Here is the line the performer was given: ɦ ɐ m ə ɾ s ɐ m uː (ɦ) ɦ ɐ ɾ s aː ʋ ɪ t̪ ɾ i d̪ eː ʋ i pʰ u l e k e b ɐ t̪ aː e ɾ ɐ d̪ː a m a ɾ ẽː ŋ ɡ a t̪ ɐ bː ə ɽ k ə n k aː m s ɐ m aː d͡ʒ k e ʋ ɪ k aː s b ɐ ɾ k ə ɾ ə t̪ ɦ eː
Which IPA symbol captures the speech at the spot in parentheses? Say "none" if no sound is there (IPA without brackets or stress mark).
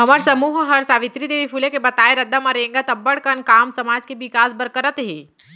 ɦ